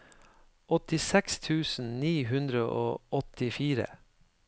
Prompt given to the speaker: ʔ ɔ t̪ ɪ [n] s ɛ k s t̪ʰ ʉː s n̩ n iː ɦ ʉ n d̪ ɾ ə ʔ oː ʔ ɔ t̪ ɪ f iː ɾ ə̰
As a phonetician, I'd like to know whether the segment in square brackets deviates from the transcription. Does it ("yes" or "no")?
yes